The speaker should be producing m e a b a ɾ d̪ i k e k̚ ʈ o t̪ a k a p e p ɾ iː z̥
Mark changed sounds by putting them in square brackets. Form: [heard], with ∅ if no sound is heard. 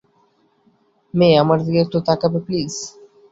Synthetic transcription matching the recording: m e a [m] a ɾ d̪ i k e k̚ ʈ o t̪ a k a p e p [l] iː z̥